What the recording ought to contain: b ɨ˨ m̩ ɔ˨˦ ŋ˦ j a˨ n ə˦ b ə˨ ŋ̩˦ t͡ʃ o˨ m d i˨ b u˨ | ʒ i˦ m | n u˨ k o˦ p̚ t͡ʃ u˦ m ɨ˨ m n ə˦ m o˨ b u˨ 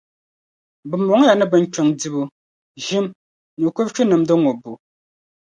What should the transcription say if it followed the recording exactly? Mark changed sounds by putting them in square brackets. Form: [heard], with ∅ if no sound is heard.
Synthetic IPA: b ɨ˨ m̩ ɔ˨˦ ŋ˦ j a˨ n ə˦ b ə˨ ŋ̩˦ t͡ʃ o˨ [ŋ] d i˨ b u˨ | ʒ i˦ m | n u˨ k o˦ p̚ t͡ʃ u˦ [n] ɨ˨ m [d] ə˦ [ŋ] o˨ b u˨